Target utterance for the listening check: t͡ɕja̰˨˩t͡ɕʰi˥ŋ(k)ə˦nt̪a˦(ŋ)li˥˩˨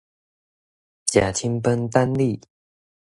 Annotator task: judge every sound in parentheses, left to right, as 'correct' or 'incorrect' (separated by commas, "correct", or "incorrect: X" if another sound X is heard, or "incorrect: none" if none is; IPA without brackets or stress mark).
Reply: incorrect: p, incorrect: n